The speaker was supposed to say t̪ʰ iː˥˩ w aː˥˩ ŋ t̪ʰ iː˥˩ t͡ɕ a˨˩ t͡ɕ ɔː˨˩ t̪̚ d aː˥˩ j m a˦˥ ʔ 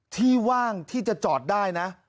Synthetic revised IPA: t̪ʰ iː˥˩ w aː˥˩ ŋ t̪ʰ iː˥˩ t͡ɕ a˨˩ t͡ɕ ɔː˨˩ t̪̚ d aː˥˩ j n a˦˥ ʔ